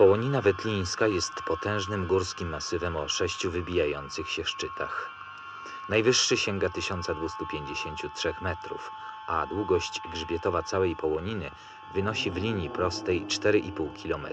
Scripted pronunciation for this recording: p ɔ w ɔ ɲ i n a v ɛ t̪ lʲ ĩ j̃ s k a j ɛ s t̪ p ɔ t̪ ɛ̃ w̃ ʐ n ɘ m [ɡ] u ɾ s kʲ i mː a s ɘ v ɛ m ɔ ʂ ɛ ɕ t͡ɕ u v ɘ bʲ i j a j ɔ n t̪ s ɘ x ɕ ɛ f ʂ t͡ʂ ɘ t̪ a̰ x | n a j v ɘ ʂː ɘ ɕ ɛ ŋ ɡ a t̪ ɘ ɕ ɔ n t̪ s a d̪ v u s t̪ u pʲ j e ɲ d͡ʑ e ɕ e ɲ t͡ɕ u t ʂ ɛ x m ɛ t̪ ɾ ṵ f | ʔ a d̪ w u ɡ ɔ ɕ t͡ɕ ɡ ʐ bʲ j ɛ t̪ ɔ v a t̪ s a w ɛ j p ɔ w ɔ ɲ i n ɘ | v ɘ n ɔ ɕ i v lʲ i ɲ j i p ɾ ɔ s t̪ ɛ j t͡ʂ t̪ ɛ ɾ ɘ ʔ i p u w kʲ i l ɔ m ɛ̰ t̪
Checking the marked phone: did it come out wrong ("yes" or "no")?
no